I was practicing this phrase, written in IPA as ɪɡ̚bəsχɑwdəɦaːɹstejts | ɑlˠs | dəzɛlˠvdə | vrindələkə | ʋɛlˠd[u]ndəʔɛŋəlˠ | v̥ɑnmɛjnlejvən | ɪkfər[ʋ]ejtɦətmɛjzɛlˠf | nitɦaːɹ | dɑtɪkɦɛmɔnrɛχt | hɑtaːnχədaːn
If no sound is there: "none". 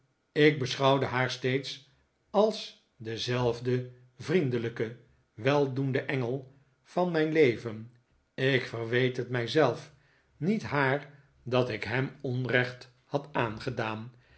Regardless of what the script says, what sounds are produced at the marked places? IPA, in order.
u, ʋ

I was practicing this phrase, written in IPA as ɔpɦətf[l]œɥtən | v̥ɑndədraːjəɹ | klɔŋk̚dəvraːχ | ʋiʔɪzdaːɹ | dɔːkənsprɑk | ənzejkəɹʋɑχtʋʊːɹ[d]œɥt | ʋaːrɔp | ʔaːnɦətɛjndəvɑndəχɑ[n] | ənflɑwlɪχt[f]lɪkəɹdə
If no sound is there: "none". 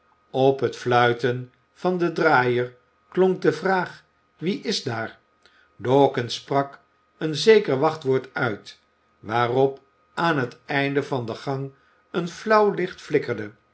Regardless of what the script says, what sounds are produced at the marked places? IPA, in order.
l, t, ŋ, f

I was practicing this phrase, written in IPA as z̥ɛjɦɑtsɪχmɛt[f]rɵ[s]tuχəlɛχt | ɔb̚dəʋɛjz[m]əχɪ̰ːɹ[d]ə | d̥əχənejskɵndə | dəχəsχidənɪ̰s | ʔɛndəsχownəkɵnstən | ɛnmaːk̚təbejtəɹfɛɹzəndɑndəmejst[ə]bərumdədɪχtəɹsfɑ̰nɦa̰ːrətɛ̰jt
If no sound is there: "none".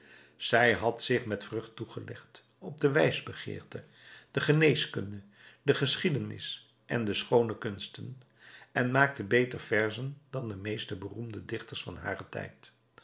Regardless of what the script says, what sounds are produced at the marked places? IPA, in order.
f, χ, b, t, ə

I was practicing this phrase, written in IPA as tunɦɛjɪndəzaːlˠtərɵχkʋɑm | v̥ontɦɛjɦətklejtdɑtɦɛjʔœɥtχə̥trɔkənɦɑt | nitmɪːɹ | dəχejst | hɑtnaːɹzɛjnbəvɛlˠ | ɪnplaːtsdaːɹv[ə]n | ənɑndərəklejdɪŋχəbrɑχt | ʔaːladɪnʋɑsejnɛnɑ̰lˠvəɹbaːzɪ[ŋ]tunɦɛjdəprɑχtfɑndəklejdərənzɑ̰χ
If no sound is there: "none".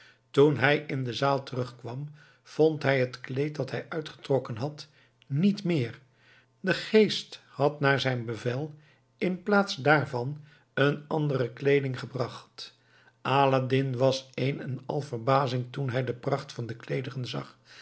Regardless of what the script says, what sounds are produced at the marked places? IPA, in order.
ɑ, ŋ

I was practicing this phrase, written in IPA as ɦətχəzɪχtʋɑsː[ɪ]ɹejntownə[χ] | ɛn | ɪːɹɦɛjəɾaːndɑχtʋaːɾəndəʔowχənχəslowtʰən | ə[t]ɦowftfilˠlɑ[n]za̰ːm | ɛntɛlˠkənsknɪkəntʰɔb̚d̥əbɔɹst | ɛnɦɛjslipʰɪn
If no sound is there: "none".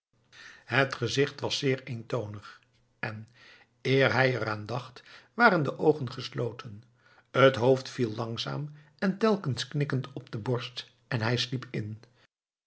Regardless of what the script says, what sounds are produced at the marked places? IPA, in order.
ɪː, χ, t, ŋ

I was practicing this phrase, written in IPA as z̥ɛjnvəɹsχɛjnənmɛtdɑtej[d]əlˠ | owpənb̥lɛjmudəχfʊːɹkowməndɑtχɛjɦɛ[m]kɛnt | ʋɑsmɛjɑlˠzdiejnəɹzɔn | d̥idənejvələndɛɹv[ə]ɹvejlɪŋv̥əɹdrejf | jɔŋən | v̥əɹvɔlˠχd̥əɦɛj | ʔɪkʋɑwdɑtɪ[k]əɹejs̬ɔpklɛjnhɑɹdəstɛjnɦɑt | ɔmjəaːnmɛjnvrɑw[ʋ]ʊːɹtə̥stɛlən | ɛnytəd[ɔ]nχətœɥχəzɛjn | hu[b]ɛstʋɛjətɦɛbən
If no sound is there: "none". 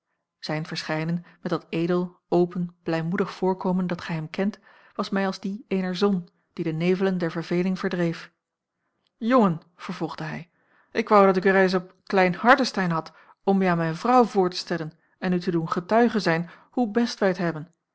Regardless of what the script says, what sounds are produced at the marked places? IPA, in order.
d, m, ə, k, v, u, b

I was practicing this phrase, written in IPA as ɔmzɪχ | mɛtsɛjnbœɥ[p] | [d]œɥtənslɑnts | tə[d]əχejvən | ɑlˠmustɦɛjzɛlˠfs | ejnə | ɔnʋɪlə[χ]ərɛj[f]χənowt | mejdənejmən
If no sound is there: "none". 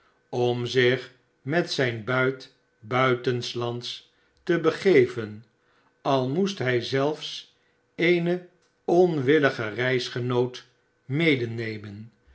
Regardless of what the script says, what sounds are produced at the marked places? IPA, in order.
t, b, b, χ, s

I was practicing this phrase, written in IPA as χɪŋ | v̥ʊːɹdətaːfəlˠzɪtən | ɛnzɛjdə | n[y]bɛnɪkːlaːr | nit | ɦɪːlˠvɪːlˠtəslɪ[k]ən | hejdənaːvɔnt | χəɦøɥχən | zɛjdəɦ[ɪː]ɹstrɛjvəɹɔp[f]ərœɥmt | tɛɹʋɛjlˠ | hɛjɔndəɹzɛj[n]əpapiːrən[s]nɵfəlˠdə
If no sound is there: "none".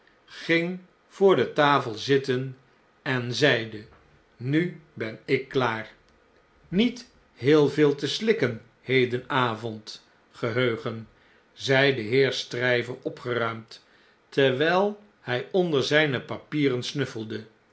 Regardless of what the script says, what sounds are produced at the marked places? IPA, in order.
y, k, ɪː, χ, n, s

